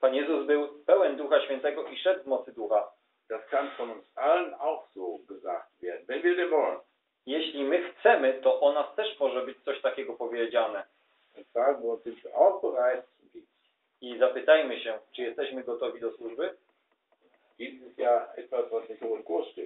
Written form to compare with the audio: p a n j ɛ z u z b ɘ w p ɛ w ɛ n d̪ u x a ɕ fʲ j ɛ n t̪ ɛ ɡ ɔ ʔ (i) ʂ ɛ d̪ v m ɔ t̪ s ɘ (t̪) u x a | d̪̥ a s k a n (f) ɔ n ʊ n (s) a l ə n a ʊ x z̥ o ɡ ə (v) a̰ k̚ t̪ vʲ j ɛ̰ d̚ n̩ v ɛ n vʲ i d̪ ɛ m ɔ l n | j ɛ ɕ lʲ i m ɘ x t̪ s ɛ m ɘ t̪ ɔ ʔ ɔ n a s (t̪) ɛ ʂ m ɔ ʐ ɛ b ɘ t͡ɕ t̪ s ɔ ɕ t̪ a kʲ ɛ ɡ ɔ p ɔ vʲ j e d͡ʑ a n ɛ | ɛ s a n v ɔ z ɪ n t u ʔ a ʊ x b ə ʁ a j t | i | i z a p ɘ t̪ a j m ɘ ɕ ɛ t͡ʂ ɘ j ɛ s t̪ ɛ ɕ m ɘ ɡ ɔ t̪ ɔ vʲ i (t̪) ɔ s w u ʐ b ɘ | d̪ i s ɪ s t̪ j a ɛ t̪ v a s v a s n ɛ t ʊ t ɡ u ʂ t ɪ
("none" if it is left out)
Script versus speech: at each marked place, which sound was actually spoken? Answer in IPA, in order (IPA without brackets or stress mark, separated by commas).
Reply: i, d̪, f, s, z, t̪, d̪